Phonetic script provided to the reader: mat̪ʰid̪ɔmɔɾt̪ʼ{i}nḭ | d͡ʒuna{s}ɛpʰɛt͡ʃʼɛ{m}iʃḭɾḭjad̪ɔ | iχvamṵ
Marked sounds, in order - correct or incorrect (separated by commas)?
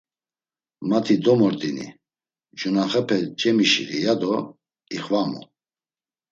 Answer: correct, incorrect, correct